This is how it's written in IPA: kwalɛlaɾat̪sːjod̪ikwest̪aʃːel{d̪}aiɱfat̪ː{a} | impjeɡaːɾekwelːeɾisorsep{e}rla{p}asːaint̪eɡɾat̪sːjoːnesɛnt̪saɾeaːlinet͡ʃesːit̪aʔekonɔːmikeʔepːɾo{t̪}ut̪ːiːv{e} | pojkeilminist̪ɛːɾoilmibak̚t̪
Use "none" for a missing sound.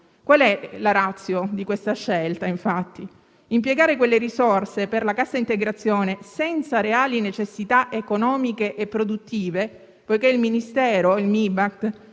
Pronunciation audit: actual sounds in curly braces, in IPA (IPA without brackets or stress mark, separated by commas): t̪, i, e, k, d̪, e